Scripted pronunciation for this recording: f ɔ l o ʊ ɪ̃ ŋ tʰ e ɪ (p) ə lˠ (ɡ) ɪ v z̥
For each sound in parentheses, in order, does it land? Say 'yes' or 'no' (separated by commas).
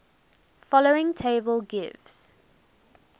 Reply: no, yes